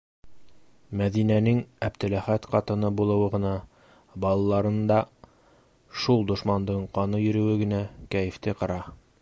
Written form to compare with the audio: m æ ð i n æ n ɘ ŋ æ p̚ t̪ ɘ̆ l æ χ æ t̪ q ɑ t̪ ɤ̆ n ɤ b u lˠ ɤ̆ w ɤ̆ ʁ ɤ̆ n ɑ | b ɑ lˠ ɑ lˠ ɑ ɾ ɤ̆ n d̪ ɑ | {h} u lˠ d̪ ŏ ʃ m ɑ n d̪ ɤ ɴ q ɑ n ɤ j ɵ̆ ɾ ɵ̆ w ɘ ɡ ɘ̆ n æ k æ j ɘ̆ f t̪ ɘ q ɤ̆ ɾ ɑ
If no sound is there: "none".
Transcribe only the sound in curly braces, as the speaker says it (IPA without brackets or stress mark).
ʃ